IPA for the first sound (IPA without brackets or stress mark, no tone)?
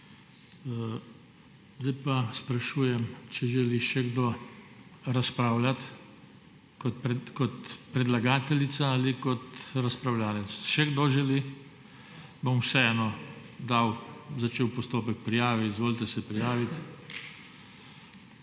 z